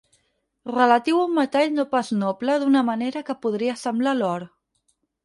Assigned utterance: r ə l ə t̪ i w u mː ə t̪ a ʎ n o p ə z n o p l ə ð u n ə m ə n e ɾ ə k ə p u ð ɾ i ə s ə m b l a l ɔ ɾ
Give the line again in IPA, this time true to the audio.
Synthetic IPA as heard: r ə l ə t̪ i w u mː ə t̪ a ʎ n o p a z n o p l ə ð u n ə m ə n e ɾ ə k ə p u ð ɾ i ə s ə m b l a l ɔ ɾ

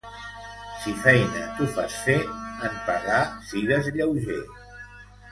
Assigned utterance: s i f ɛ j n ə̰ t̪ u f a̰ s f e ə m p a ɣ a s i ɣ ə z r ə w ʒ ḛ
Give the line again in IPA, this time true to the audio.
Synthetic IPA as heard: s i f ɛ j n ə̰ t̪ u f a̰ s f e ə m p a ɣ a s i ɣ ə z ʎ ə w ʒ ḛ

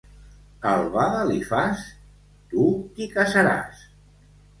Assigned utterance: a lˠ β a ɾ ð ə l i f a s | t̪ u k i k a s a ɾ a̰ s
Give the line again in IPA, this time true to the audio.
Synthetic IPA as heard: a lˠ β a ð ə l i f a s | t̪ u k i k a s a ɾ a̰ s

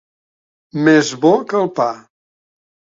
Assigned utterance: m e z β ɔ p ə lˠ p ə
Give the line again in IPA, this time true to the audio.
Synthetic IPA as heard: m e z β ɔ k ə lˠ p a

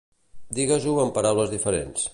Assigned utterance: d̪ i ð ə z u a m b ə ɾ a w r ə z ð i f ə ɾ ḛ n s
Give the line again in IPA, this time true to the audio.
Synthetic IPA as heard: d̪ i ɣ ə z u ə m p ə ɾ a w l ə z ð i f ə ɾ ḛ n s

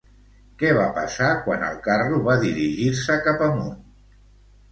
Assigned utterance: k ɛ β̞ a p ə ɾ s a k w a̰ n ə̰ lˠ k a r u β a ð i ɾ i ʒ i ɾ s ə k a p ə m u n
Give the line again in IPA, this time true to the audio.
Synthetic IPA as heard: k ɛ β̞ a p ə s a k w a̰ n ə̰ lˠ k a r u β a ð i ɾ i ʒ i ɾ s ə k a p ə m u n

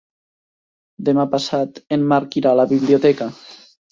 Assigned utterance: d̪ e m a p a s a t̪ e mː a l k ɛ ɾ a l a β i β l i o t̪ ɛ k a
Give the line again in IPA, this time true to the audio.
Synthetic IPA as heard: d̪ e m a p a s a t̪ e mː a ɾ k i ɾ a l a β i β l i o t̪ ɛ k a

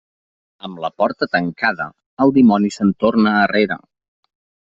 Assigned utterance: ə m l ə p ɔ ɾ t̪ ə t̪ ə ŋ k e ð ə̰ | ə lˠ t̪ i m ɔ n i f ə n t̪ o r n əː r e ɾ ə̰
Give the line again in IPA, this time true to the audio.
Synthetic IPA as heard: ə m l ə p ɔ ɾ t̪ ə t̪ ə ŋ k a ð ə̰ | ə lˠ d̪ i m ɔ n i s ə n t̪ o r n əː r e ɾ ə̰

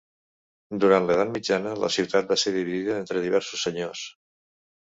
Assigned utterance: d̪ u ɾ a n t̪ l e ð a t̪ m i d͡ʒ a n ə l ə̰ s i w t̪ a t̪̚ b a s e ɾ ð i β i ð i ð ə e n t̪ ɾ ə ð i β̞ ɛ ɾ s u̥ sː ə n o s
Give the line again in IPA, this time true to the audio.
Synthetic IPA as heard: d̪ u ɾ a n t̪ l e ð a t̪ m i d͡ʒ a n ə l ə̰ s i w t̪ a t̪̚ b a s e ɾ ð i β i ð i ð ə e n t̪ ɾ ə ð i β̞ ɛ ɾ s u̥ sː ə ɲ o s

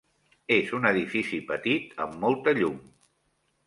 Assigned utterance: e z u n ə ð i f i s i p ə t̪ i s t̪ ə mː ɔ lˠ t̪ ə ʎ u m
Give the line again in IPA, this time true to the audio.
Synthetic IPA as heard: e z u n ə ð i f i s i p ə t̪ i t̪ ə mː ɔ lˠ t̪ ə ʎ u m

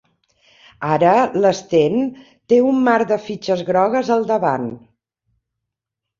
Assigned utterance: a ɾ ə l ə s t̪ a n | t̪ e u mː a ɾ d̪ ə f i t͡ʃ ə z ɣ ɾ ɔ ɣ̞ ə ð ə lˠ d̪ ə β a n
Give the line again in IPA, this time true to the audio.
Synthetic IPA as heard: a ɾ ə l ə s t̪ e n | t̪ e u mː a ɾ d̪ ə f i t͡ʃ ə z ɣ ɾ ɔ ɣ̞ ə z ə lˠ d̪ ə β a n

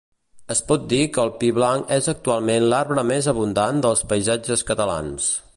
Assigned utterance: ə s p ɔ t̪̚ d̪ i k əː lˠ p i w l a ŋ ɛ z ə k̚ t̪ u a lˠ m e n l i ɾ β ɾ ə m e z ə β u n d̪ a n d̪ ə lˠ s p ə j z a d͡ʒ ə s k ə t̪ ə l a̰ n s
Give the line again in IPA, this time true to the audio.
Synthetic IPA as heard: ə s p ɔ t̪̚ d̪ i k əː lˠ p i β l a ŋ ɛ z ə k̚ t̪ u a lˠ m e n l a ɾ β ɾ ə m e z ə β u n d̪ a n d̪ ə lˠ s p ə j z a d͡ʒ ə s k ə t̪ ə l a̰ n s

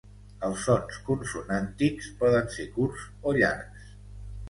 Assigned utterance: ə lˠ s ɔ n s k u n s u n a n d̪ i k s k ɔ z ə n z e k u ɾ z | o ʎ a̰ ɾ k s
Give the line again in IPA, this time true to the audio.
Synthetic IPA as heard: ə lˠ s ɔ n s k u n s u n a n t̪ i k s p ɔ ð ə n s e k u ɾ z | o ʎ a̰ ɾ k s

